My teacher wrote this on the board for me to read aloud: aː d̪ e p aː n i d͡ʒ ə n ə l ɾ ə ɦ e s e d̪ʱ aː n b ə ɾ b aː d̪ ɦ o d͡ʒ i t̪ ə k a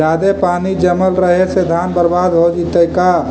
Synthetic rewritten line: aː d̪ e p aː n i d͡ʒ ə m ə l ɾ ə ɦ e s e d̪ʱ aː n b ə ɾ b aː d̪ ɦ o d͡ʒ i t̪ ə k a

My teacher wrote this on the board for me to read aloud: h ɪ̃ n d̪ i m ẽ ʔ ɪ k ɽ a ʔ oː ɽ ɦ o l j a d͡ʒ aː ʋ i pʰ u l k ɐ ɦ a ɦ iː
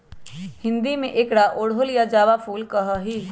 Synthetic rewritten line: h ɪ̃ n d̪ i m ẽ ʔ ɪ k ɽ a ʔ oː ɽ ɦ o l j a d͡ʒ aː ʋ a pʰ uː l k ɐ ɦ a ɦ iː

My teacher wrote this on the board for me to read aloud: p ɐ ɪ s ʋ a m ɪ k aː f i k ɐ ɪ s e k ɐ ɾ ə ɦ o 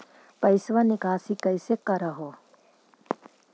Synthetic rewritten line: p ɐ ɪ s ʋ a n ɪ k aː s i k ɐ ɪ s e k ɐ ɾ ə ɦ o

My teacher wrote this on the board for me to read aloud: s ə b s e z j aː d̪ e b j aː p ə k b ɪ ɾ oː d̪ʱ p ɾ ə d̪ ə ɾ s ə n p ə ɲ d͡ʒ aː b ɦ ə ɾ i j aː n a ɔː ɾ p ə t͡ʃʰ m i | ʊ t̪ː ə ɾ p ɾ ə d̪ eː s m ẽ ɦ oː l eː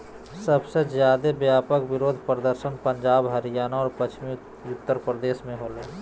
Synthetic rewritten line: s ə b s e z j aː d̪ e b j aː p ə k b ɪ ɾ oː d̪ʱ p ɾ ə d̪ ə ɾ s ə n p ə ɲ d͡ʒ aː b ɦ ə ɾ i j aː n a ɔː ɾ p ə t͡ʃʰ m i | ʊ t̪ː ə ɾ p ɾ ə d̪ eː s m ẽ ɦ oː l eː

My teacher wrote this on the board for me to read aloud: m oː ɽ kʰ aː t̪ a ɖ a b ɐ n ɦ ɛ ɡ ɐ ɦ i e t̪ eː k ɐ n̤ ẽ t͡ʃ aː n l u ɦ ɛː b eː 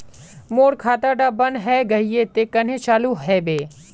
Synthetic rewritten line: m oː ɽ kʰ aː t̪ a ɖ a b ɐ n ɦ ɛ ɡ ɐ ɦ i e t̪ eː k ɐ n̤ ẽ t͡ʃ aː l u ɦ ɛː b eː

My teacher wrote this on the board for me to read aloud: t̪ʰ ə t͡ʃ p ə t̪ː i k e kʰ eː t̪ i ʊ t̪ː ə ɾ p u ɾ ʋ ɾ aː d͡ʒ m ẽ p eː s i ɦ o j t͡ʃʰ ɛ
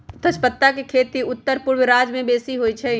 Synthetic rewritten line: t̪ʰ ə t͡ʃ p ə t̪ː a k e kʰ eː t̪ i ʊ t̪ː ə ɾ p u ɾ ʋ ɾ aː d͡ʒ m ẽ b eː s i ɦ o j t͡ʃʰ ɛ

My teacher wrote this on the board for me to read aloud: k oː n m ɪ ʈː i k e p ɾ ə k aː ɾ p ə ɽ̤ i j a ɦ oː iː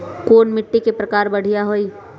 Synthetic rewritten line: k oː n m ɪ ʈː i k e p ɾ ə k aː ɾ b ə ɽ̤ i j a ɦ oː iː

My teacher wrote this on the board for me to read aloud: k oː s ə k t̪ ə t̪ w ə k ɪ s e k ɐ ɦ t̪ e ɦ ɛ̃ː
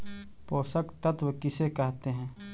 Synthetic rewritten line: p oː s ə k t̪ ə t̪ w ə k ɪ s e k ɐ ɦ t̪ e ɦ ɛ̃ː

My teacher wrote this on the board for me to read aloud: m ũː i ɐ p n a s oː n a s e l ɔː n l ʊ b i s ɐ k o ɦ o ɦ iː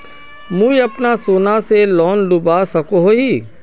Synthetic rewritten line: m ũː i ɐ p n a s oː n a s e l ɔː n l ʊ b a s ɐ k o ɦ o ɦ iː

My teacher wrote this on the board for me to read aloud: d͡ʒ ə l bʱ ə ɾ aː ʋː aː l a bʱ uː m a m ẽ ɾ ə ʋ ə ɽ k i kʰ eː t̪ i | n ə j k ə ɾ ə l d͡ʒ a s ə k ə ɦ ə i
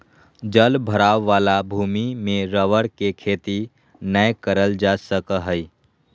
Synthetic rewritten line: d͡ʒ ə l bʱ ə ɾ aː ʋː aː l a bʱ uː m i m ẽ ɾ ə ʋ ə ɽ k e kʰ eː t̪ i | n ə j k ə ɾ ə l d͡ʒ a s ə k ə ɦ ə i

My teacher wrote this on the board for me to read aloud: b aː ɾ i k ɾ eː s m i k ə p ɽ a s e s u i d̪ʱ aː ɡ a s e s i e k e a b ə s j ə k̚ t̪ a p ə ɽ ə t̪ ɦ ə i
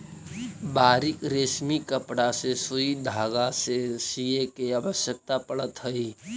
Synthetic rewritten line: b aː ɾ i k ɾ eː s m i k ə p ɽ a s e s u i d̪ʱ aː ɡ a s e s i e k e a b ə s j ə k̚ t̪ a p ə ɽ ə t̪ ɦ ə i

